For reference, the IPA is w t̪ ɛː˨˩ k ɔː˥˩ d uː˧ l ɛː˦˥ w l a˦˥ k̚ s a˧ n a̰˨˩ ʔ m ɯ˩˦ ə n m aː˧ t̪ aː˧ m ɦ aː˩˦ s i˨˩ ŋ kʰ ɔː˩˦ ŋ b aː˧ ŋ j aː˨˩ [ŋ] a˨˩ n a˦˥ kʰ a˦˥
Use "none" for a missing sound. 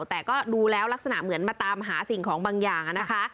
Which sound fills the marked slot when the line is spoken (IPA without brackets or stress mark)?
ŋ